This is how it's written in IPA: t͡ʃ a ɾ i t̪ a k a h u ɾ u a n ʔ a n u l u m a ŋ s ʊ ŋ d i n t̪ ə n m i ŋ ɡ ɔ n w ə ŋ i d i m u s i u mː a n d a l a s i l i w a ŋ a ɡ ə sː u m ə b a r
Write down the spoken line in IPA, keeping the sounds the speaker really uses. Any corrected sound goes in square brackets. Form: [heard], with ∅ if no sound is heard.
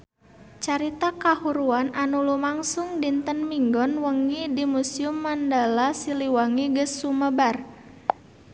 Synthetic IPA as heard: t͡ʃ a ɾ i t̪ a k a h u ɾ u a n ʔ a n u l u m a ŋ s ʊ ŋ d i n t̪ ə n m i ŋ ɡ ɔ n w ə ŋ i d i m u s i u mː a n d a l a s i l i w a ŋ [i] ɡ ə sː u m ə b a r